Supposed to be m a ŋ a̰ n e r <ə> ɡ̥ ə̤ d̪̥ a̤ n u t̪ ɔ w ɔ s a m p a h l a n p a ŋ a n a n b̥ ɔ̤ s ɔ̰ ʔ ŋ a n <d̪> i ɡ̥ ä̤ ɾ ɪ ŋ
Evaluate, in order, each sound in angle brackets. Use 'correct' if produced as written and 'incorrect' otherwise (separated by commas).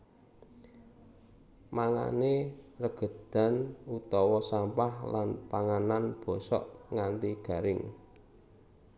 correct, incorrect